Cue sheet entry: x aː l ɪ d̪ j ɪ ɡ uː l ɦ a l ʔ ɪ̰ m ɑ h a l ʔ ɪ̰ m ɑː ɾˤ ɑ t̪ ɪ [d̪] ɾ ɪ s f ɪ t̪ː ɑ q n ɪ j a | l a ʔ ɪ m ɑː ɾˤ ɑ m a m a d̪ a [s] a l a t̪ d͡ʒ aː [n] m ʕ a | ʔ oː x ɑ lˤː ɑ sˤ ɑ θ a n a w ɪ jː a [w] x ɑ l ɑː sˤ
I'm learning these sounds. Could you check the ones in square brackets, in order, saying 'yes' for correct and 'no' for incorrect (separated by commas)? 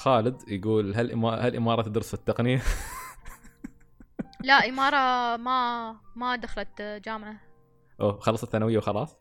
yes, no, no, yes